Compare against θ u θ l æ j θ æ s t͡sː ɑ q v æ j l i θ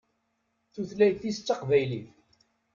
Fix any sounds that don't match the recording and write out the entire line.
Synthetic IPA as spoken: θ u θ l æ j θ i s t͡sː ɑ q v æ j l i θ